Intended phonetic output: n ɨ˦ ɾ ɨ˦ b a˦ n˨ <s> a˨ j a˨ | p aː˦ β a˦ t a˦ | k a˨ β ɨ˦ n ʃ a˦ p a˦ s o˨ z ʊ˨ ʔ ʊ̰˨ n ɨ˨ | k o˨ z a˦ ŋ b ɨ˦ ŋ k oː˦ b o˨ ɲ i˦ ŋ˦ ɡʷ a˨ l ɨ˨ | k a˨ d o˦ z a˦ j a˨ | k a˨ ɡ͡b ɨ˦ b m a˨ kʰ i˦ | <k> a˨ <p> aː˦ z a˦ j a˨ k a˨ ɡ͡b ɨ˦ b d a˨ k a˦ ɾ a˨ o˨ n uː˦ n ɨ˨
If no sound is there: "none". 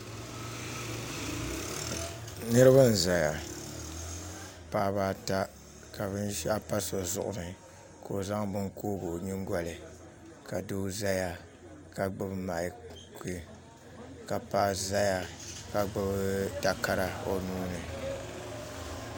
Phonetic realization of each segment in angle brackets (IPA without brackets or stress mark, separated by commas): z, k, p